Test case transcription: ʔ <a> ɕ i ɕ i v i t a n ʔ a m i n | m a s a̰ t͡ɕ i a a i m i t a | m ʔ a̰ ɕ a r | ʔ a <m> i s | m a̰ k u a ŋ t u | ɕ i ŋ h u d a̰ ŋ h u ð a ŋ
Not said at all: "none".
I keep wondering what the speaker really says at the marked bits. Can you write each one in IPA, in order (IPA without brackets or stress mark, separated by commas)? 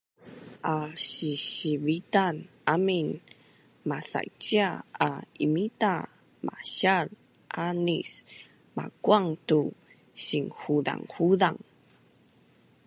a, n